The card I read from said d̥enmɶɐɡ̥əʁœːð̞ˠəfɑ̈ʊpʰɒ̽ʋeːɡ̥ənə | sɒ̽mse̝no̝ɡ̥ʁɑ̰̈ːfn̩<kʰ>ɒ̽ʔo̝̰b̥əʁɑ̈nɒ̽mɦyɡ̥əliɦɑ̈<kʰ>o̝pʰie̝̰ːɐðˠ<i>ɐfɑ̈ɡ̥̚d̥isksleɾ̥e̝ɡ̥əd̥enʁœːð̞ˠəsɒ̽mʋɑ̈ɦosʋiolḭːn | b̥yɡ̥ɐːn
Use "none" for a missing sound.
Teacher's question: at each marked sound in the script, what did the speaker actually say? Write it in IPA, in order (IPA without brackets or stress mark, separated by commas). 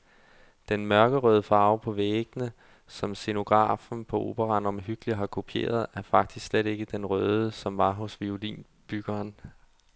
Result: pʰ, kʰ, æ